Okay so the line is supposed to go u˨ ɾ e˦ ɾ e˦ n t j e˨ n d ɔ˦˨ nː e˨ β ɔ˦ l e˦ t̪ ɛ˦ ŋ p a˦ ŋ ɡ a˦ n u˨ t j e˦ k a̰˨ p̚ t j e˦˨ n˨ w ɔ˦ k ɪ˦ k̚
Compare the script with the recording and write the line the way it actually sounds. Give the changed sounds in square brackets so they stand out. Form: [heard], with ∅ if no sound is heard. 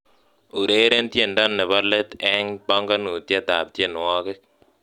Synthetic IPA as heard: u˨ ɾ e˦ ɾ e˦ n t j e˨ n d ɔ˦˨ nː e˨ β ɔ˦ l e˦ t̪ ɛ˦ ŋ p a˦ ŋ ɡ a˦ n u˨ t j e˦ [t] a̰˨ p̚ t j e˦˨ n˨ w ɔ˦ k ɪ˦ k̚